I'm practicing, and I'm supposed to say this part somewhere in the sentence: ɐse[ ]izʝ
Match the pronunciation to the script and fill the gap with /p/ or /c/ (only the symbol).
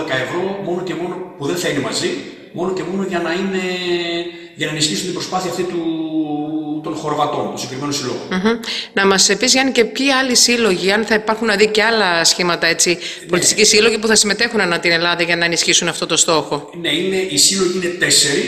p